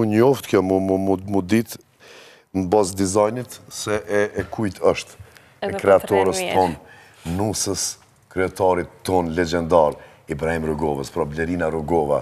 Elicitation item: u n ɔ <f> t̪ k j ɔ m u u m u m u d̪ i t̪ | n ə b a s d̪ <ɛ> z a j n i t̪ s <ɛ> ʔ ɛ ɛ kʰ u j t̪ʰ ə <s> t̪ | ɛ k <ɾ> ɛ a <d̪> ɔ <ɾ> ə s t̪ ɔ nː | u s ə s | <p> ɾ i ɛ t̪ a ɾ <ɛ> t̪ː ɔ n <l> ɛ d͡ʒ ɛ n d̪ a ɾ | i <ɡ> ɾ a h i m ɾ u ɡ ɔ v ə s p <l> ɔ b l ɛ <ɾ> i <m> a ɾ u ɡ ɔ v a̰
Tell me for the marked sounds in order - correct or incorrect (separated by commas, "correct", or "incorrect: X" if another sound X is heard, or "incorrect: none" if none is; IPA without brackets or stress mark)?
correct, incorrect: i, correct, incorrect: ʃ, correct, incorrect: t̪, correct, incorrect: k, incorrect: i, correct, incorrect: b, incorrect: ɾ, correct, incorrect: n